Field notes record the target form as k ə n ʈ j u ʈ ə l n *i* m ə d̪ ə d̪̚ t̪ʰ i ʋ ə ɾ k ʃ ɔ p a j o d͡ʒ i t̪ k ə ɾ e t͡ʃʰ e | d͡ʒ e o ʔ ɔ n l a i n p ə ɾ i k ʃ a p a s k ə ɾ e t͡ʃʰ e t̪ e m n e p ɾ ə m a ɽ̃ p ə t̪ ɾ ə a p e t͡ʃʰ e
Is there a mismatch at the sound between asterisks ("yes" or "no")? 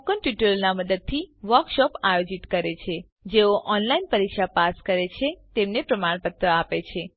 yes